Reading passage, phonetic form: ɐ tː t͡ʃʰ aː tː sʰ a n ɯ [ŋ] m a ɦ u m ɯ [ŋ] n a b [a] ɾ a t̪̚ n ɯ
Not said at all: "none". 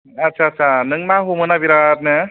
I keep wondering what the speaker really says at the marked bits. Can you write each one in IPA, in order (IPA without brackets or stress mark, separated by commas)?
ŋ, none, i